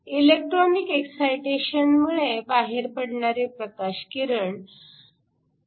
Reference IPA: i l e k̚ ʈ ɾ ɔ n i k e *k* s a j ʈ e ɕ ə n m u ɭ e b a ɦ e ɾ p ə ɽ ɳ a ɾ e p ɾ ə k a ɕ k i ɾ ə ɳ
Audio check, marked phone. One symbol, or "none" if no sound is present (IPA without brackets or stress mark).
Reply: k